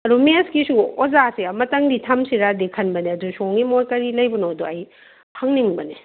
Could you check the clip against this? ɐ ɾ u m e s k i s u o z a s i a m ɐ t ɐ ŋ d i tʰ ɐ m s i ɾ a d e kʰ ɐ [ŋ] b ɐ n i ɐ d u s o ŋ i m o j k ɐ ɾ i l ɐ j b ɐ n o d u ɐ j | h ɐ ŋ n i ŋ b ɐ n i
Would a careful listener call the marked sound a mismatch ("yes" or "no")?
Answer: yes